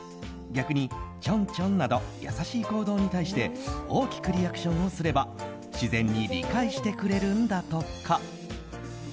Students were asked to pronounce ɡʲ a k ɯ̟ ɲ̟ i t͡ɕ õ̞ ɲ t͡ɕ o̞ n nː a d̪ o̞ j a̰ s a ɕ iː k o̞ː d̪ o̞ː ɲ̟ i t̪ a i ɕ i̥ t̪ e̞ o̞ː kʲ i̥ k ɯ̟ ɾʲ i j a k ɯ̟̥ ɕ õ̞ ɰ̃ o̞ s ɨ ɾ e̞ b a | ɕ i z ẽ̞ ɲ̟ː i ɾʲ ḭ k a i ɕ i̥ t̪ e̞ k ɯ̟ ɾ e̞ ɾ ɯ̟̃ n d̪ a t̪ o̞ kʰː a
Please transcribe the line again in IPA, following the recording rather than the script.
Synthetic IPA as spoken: ɡʲ a k ɯ̟ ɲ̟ i t͡ɕ õ̞ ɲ t͡ɕ õ̞ n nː a d̪ o̞ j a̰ s a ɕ iː k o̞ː d̪ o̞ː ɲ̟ i t̪ a i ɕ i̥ t̪ e̞ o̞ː kʲ i̥ k ɯ̟ ɾʲ i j a k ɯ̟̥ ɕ õ̞ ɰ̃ o̞ s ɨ ɾ e̞ b a | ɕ i z ẽ̞ ɲ̟ː i ɾʲ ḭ k a i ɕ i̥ t̪ e̞ k ɯ̟ ɾ e̞ ɾ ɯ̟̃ n d̪ a t̪ o̞ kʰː a